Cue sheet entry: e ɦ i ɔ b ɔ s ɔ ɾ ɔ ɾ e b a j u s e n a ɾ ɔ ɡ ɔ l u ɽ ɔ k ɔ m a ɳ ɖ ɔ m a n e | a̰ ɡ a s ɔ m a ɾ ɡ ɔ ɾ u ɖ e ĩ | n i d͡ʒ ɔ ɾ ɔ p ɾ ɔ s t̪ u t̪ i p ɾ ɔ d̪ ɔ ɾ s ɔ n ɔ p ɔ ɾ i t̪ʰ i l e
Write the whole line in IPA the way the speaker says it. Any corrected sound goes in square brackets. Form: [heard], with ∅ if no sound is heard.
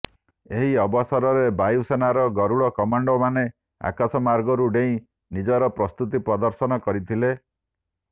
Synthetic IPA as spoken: e ɦ i ɔ b ɔ s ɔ ɾ ɔ ɾ e b a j u s e n a ɾ ɔ ɡ ɔ [ɾ] u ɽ ɔ k ɔ m a ɳ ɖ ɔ m a n e | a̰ [k] a s ɔ m a ɾ ɡ ɔ ɾ u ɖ e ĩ | n i d͡ʒ ɔ ɾ ɔ p ɾ ɔ s t̪ u t̪ i p ɾ ɔ d̪ ɔ ɾ s ɔ n ɔ [k] ɔ ɾ i t̪ʰ i l e